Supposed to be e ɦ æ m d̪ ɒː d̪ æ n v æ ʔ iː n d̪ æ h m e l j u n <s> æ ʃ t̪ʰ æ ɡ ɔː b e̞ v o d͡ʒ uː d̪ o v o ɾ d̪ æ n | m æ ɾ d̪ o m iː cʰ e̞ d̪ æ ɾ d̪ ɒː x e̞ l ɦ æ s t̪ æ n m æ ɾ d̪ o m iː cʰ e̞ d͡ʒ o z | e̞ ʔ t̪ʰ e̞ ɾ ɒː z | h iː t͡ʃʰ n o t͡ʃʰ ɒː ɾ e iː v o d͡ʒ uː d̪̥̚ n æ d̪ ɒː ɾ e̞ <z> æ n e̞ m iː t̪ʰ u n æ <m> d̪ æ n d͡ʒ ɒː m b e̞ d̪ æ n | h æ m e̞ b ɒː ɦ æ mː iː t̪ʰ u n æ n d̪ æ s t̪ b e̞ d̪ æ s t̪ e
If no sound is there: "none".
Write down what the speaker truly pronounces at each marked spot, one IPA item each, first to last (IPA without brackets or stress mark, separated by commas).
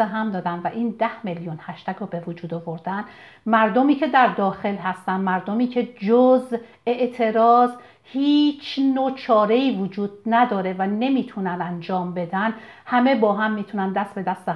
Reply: h, v, n